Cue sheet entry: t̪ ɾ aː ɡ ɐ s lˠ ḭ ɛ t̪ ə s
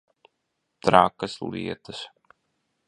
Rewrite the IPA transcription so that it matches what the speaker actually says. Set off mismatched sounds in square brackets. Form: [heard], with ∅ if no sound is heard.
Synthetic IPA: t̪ ɾ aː [k] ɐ s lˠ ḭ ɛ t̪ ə s